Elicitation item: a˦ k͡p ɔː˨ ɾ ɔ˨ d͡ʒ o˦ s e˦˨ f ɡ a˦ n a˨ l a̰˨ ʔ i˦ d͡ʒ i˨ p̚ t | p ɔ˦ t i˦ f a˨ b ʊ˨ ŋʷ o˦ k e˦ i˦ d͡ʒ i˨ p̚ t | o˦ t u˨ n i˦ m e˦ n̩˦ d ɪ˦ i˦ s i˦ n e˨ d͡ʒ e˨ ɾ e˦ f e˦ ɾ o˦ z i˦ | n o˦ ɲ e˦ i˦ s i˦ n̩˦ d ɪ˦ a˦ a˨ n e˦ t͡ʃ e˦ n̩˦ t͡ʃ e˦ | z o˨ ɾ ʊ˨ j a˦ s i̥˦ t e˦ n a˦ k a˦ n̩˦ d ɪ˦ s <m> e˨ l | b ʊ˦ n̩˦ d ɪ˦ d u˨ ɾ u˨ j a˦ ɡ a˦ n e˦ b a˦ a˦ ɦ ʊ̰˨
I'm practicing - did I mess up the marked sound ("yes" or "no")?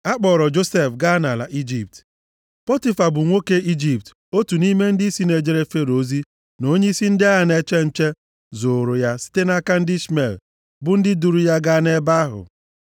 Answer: no